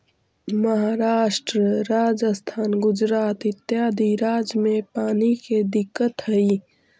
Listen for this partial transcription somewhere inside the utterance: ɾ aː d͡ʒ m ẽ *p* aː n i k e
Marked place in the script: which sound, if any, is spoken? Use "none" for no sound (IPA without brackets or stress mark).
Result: p